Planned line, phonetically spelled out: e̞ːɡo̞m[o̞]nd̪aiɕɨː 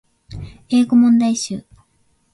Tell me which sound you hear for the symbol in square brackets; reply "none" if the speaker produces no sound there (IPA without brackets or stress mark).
õ̞